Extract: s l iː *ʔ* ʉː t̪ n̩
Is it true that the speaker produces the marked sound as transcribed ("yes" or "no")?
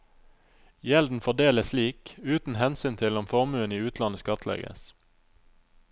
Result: no